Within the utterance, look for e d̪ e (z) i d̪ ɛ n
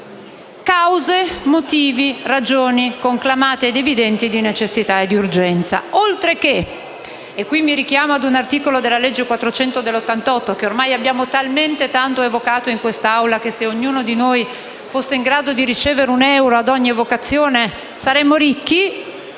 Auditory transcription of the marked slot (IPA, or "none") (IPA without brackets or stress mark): v